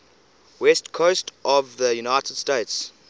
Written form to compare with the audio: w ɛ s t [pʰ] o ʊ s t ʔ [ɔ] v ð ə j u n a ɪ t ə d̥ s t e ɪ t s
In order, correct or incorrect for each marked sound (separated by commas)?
incorrect, correct